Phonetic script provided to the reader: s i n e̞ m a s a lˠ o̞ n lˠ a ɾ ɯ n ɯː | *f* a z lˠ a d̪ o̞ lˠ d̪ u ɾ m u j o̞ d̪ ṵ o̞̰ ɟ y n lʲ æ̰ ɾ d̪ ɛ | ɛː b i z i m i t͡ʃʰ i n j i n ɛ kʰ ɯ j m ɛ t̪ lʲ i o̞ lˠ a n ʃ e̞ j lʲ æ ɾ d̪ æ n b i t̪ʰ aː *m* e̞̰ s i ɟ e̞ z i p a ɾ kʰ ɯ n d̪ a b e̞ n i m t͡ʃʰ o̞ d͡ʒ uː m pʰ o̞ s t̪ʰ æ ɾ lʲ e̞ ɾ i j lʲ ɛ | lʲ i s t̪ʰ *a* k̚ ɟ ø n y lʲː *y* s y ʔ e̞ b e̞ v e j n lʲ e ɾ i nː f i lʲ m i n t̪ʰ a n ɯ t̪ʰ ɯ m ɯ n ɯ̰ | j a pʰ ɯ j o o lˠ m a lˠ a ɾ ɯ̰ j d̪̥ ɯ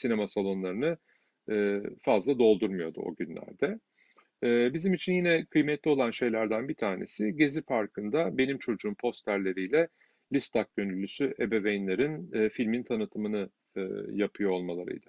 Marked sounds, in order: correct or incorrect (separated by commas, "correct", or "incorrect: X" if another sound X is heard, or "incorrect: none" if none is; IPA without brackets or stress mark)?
correct, incorrect: n, correct, correct